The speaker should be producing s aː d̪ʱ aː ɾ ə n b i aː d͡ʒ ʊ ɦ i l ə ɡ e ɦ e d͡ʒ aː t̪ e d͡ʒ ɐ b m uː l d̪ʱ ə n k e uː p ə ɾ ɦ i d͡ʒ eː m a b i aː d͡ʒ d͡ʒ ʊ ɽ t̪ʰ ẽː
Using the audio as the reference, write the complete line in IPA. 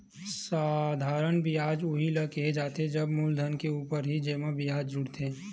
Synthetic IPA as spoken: s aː d̪ʱ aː ɾ ə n b i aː d͡ʒ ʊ ɦ i l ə k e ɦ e d͡ʒ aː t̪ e d͡ʒ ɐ b m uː l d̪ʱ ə n k e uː p ə ɾ ɦ i d͡ʒ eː m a b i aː d͡ʒ d͡ʒ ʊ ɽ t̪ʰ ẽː